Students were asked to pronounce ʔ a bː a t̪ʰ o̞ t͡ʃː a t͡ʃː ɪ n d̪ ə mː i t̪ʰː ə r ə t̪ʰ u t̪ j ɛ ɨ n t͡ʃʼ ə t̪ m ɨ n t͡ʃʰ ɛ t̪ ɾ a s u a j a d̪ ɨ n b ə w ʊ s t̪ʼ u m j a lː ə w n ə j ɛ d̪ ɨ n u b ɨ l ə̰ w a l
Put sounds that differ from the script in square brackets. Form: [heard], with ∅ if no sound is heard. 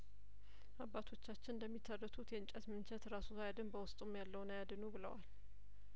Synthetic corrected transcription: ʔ a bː a t̪ʰ o̞ t͡ʃː a t͡ʃː ɪ n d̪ ə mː i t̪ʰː ə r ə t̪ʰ u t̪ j ɛ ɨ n t͡ʃʼ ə t̪ m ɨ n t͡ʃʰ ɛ t̪ ɾ a s u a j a d̪ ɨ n b ə w ʊ s t̪ʼ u m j a lː ə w n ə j [a] d̪ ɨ n u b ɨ l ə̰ w a l